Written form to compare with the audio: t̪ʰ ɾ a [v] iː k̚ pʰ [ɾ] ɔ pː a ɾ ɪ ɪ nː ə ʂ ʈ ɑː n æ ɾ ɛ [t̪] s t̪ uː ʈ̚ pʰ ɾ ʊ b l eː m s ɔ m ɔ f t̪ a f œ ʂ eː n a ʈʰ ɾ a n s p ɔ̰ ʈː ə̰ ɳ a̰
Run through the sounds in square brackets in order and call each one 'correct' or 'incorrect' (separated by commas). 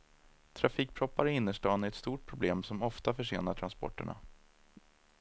incorrect, correct, correct